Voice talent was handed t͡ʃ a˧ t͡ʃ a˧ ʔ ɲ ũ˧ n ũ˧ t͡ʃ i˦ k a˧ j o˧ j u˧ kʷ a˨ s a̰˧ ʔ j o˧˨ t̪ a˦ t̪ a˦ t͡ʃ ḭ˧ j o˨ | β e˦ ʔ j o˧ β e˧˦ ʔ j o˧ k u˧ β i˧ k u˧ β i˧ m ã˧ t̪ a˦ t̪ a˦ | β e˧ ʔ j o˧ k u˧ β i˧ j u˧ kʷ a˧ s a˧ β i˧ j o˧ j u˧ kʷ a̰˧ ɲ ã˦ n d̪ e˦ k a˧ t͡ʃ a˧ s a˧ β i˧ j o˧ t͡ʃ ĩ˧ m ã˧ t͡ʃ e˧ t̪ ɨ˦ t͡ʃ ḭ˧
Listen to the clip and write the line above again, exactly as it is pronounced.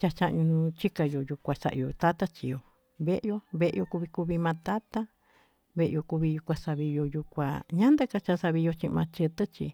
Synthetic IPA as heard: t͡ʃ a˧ t͡ʃ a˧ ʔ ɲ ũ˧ n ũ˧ t͡ʃ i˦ k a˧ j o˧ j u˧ kʷ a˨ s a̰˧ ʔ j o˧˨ t̪ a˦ t̪ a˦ t͡ʃ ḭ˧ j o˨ | β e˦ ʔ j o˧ β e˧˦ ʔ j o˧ k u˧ β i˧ k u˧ β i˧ m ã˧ t̪ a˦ t̪ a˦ | β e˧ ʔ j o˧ k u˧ β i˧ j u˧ kʷ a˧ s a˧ β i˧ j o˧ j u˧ kʷ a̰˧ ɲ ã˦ n d̪ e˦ k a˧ t͡ʃ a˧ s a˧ β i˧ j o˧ t͡ʃ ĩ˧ m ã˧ t͡ʃ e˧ t̪ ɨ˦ t͡ʃ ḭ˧